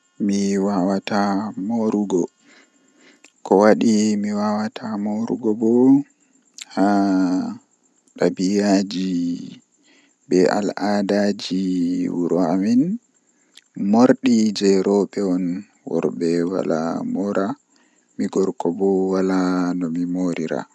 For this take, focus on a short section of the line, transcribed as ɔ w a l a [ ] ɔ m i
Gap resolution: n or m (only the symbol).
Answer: n